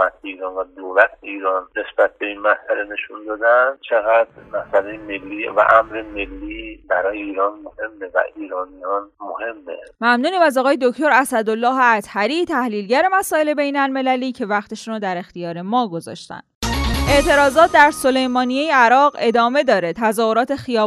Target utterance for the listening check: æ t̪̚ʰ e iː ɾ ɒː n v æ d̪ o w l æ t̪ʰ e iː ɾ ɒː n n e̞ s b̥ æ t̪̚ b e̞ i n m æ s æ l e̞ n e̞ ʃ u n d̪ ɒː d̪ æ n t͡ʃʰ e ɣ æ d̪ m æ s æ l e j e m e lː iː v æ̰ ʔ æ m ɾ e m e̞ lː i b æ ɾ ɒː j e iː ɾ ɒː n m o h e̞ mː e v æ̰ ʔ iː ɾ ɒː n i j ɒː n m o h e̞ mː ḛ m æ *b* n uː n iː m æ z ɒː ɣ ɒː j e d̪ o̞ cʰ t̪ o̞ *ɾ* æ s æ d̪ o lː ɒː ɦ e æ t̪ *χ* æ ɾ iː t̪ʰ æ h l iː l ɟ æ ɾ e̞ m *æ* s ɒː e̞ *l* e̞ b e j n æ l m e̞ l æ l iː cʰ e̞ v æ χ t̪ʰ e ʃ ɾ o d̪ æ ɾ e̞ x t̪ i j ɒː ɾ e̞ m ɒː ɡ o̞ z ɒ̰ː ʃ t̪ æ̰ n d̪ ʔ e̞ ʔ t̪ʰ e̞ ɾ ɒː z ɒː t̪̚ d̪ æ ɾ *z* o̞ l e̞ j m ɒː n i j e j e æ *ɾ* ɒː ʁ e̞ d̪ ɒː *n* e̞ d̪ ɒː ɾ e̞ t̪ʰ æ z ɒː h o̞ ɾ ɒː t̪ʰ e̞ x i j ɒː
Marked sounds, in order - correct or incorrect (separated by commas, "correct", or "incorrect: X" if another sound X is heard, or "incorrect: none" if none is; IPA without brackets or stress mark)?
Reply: incorrect: m, correct, incorrect: h, correct, correct, incorrect: s, correct, incorrect: m